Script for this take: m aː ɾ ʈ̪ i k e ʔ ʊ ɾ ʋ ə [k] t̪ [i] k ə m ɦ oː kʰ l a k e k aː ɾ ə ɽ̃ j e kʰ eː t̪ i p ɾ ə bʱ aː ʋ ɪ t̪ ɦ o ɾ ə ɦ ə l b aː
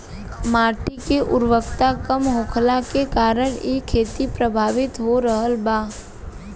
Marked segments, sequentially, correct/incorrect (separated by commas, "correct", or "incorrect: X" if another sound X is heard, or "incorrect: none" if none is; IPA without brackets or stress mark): correct, incorrect: a